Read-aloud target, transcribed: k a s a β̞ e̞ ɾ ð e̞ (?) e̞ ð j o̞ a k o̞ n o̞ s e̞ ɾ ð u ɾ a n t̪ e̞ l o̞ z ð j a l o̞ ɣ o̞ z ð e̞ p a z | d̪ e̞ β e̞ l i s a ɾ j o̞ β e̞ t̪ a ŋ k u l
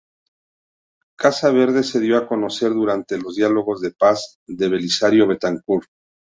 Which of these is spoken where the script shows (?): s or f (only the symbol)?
s